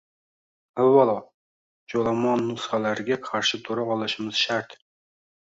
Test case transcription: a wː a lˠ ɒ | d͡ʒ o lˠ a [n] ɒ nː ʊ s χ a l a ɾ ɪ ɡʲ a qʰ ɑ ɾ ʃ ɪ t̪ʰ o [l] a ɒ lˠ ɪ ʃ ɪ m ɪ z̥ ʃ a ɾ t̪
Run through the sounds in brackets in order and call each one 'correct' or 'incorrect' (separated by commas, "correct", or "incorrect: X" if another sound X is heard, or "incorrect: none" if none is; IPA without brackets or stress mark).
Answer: incorrect: m, incorrect: ɾ